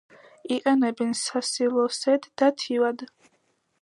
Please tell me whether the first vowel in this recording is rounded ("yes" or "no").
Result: no